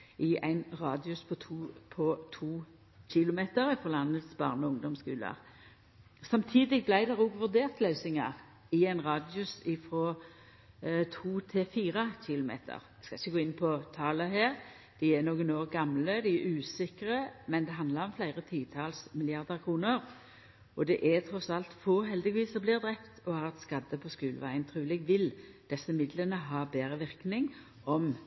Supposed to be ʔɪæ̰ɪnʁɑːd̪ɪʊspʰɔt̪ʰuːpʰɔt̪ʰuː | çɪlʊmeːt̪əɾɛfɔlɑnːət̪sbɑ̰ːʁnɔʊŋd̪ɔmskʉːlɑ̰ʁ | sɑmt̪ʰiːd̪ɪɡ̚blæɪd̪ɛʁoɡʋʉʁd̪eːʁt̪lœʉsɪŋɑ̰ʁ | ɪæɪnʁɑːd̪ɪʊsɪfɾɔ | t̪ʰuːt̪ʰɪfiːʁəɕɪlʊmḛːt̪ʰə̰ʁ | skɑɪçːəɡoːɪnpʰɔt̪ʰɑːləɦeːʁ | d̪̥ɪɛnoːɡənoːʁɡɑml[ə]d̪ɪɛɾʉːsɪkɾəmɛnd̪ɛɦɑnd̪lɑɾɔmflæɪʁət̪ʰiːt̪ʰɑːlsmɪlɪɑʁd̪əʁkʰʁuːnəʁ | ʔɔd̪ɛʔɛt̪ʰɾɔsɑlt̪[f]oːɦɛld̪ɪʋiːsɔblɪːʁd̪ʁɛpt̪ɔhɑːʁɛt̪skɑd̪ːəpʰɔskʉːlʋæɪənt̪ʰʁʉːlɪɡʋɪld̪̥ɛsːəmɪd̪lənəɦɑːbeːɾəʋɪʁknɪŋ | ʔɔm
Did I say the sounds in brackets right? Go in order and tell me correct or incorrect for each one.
correct, correct

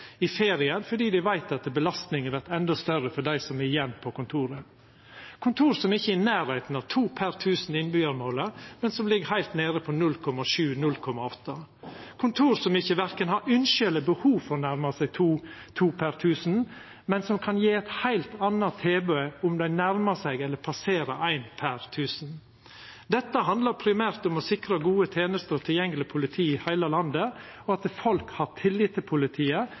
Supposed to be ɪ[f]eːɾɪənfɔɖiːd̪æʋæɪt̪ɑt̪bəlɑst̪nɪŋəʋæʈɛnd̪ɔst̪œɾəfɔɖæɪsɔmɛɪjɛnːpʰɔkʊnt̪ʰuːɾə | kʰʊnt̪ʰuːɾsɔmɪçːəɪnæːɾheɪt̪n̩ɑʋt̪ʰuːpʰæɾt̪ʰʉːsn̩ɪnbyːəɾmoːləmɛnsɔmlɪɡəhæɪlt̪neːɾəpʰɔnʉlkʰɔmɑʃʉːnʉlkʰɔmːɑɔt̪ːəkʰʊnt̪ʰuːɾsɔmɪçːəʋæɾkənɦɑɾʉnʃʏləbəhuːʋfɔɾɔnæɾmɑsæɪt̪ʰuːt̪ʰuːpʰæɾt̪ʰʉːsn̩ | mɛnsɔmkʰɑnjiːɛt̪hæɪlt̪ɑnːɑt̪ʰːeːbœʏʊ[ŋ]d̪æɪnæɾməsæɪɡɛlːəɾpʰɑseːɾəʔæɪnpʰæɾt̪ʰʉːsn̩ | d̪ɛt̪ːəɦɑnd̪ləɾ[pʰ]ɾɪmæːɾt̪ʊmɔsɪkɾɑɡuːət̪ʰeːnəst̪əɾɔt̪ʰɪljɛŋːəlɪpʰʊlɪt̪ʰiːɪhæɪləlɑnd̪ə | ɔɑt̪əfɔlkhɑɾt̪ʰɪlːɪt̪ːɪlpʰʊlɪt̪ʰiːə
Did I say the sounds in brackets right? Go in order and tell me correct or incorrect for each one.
correct, incorrect: m, correct

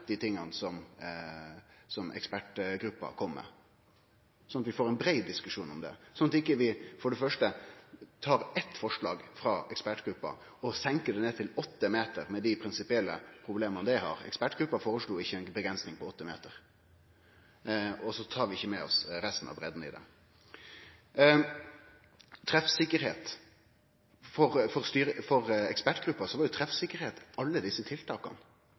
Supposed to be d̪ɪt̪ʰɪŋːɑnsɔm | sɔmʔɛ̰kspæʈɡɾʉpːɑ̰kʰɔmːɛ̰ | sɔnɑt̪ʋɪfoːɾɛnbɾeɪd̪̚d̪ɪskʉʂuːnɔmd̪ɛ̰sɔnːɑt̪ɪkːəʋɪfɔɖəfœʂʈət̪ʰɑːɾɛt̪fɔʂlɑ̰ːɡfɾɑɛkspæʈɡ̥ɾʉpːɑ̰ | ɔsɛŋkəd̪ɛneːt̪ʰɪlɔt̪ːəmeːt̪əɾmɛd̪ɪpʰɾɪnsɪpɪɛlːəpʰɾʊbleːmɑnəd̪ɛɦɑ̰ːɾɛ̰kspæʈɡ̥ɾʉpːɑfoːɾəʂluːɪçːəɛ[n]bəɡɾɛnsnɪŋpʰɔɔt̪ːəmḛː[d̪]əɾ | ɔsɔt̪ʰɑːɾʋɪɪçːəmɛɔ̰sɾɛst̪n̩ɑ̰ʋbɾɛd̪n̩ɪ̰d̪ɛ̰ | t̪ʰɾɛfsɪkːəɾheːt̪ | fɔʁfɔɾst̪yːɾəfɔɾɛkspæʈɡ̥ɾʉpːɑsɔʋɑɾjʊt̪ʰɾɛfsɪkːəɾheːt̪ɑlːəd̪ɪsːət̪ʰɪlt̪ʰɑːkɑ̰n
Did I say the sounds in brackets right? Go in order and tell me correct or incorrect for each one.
correct, incorrect: t̪

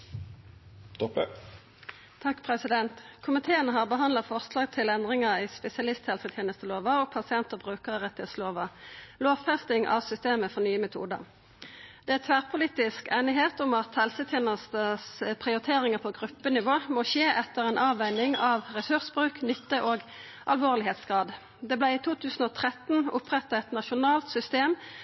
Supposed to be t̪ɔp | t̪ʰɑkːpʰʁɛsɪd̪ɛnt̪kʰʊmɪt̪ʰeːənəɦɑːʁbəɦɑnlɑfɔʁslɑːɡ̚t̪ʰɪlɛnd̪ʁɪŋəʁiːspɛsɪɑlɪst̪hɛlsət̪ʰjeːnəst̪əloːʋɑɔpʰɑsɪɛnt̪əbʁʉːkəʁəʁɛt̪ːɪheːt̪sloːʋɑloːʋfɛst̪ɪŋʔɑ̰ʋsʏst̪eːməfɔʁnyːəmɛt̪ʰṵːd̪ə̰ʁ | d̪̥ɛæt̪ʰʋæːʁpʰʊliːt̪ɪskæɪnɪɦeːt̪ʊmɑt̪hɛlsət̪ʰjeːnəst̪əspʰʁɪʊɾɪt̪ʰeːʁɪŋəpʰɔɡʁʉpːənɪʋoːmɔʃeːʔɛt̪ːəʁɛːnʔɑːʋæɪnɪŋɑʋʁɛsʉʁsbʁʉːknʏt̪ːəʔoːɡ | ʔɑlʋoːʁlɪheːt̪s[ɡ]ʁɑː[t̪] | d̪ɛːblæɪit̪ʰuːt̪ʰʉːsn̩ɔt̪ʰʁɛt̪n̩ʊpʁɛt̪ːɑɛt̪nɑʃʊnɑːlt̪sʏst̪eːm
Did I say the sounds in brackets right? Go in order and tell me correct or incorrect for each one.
correct, incorrect: d̪

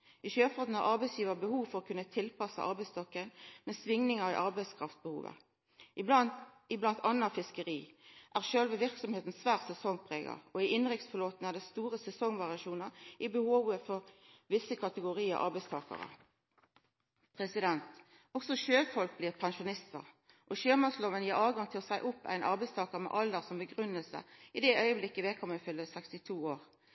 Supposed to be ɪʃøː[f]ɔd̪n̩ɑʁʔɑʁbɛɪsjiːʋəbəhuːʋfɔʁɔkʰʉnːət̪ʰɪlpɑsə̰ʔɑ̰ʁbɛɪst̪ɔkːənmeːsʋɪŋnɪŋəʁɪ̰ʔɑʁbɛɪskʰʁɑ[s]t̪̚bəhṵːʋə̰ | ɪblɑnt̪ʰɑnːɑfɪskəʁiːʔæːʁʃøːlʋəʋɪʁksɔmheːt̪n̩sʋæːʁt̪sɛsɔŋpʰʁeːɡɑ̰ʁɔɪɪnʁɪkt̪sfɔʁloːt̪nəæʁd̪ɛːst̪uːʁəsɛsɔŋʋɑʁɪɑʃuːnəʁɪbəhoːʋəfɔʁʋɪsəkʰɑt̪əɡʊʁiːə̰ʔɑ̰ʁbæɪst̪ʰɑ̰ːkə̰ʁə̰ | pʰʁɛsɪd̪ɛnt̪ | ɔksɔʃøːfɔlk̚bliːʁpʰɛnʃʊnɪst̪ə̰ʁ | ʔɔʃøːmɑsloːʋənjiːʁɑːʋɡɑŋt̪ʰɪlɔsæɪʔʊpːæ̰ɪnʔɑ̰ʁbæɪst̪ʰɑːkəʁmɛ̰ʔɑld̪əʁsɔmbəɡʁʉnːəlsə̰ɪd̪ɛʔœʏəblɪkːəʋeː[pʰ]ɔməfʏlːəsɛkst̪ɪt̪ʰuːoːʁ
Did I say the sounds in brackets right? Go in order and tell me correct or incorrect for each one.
correct, incorrect: f, incorrect: kʰ

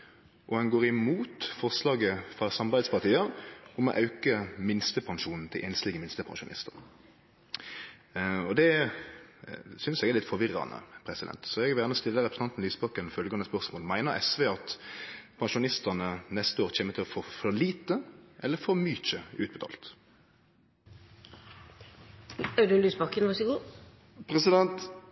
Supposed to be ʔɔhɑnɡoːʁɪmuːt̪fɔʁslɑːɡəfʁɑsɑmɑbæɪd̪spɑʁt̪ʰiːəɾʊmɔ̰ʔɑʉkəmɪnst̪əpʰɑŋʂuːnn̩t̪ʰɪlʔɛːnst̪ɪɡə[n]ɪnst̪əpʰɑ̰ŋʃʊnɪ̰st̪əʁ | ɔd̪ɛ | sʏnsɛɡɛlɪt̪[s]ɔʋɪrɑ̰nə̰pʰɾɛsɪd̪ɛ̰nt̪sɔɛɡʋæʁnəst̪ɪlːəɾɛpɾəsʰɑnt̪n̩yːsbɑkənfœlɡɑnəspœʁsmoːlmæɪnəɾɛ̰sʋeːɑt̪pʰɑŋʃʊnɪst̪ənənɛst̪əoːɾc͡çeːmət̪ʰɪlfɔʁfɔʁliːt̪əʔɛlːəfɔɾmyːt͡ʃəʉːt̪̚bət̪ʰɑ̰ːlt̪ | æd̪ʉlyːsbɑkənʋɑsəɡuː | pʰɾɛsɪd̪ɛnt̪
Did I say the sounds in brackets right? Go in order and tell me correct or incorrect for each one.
incorrect: m, incorrect: f

